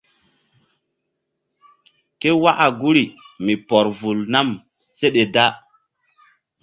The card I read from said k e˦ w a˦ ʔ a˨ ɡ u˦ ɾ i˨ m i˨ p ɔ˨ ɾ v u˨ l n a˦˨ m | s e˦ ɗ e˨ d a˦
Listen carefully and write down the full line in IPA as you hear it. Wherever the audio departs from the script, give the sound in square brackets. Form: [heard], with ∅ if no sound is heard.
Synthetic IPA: k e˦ w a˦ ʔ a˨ ɡ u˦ ɾ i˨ m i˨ p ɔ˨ ɾ v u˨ l n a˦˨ m | s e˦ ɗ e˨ d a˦